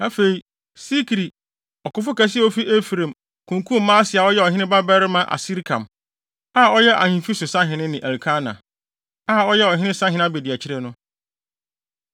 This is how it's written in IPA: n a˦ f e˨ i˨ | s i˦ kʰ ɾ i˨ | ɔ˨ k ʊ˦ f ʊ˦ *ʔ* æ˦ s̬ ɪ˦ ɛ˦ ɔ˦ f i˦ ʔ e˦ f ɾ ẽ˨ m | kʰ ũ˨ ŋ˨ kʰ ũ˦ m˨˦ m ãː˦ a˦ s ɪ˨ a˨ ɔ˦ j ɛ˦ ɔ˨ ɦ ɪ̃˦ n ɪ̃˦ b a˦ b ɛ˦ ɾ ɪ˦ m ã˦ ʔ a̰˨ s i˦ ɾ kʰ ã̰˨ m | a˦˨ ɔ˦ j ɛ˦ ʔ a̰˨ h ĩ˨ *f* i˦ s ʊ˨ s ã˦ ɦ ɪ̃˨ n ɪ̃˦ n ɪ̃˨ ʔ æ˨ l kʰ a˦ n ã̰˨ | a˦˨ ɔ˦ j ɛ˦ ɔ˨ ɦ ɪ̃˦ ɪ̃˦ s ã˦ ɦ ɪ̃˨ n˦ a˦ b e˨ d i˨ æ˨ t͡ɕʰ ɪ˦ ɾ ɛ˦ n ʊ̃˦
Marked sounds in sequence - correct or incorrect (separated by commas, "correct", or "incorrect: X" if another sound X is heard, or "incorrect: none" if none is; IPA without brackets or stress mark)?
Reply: incorrect: k, correct